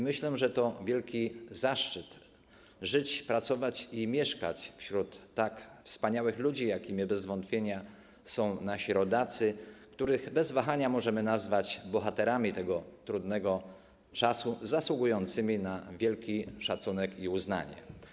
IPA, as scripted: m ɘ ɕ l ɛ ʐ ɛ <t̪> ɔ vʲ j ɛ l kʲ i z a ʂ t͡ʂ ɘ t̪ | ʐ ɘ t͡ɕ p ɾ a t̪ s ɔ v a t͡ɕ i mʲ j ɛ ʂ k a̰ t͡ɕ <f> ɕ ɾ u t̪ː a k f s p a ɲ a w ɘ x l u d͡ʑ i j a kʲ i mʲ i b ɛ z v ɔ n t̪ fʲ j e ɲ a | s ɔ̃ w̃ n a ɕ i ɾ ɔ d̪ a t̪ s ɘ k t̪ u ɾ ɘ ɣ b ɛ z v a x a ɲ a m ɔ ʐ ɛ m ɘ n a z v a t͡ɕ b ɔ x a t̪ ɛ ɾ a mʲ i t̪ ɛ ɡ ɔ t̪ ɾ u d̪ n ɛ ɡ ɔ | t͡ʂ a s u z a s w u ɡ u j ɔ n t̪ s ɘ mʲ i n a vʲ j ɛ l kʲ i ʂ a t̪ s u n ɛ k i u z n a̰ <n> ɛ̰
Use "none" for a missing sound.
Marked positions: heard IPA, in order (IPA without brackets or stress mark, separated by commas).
t̪, f, ɲ